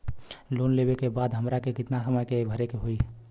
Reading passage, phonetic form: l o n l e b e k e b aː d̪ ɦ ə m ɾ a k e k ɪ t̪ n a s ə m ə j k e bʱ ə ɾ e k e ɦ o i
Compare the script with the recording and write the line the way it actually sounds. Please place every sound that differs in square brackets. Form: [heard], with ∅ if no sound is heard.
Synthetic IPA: l o n l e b e k e b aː d̪ ɦ ə m ɾ a k e k ɪ t̪ n a s ə m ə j k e bʱ ə ɾ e k e ɦ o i